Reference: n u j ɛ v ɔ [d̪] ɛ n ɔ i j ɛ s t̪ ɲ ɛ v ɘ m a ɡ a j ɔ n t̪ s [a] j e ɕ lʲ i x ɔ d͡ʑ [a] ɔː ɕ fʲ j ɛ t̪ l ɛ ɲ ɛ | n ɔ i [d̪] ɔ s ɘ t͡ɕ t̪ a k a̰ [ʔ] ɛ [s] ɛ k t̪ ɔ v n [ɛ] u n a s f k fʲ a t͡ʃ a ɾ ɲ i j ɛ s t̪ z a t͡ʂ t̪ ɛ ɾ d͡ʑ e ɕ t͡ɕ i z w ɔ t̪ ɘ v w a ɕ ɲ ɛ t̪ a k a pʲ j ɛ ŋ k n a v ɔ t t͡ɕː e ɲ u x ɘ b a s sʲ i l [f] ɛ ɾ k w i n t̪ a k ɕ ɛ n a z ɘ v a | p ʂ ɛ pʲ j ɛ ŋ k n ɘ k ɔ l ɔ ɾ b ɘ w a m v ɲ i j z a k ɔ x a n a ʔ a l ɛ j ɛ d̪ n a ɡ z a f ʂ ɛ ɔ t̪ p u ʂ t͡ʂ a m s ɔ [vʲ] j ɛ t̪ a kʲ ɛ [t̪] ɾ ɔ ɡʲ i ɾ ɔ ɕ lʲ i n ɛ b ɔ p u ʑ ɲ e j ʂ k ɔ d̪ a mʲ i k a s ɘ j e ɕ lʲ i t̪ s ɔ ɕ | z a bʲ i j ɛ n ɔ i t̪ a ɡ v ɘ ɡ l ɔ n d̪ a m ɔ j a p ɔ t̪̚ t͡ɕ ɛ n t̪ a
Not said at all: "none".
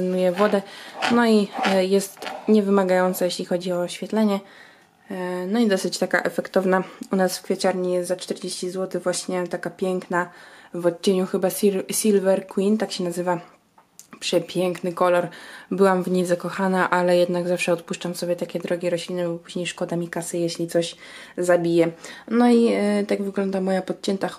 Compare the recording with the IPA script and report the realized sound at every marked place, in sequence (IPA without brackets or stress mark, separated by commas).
d̪, a, i, d̪, ʔ, f, a, v, bʲ, d̪